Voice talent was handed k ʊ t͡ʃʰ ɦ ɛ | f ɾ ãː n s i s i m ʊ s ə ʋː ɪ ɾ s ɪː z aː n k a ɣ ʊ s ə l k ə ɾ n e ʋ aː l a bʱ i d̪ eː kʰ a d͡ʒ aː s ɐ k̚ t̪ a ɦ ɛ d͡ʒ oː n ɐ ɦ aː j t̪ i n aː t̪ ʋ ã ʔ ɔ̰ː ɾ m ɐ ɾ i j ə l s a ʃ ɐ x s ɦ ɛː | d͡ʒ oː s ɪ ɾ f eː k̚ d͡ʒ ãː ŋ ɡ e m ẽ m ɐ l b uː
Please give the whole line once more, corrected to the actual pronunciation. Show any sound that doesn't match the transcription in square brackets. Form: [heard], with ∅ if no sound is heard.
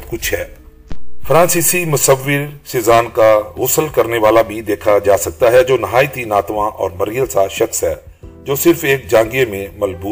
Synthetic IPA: k ʊ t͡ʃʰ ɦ [ɛː] | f ɾ ãː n s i s i m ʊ s ə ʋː ɪ ɾ s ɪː z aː n k a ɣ ʊ s ə l k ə ɾ n e ʋ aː l a bʱ i d̪ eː kʰ a d͡ʒ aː s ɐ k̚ t̪ a ɦ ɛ d͡ʒ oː n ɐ ɦ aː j t̪ i n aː t̪ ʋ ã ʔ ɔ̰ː ɾ m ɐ ɾ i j ə l s a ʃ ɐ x s ɦ ɛː | d͡ʒ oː s ɪ ɾ f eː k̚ d͡ʒ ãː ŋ ɡ e m ẽ m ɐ l b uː